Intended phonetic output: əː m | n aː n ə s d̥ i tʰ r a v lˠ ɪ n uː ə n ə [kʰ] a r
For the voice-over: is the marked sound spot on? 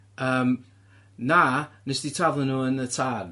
no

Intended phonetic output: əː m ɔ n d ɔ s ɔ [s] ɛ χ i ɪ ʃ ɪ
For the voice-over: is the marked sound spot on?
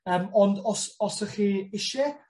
yes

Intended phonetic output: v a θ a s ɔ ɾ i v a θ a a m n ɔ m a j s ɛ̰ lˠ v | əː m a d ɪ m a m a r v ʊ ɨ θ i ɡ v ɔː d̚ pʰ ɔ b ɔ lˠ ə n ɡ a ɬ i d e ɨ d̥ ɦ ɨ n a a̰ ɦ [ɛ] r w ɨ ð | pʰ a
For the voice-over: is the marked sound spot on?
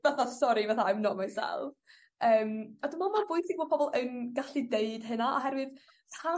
yes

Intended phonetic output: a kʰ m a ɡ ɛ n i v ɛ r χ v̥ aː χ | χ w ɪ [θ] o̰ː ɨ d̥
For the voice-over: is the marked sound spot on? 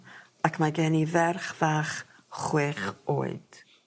no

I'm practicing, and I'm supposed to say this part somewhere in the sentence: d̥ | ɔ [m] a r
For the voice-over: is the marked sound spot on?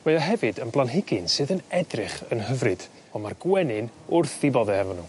yes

